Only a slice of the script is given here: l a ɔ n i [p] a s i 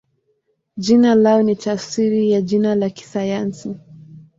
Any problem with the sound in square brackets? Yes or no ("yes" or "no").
yes